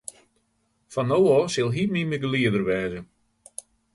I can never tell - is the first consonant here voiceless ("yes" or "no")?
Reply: yes